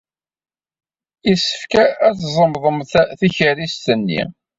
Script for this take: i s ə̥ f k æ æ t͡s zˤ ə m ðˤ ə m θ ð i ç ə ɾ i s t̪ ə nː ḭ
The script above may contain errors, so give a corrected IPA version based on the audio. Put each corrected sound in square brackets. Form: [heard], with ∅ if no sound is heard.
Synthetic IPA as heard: i s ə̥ f k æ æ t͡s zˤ ə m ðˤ ə m θ [θ] i ç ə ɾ i s t̪ ə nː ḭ